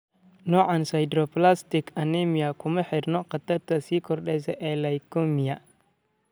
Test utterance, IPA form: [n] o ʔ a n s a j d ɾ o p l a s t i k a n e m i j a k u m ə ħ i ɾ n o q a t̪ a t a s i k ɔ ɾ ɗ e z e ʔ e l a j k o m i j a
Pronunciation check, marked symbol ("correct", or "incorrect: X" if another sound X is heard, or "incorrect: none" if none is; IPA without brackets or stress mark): correct